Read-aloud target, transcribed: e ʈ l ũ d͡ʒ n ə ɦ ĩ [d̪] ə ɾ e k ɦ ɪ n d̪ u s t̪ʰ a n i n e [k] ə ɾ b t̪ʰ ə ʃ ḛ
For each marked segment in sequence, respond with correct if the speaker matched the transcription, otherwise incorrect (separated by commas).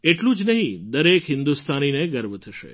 correct, incorrect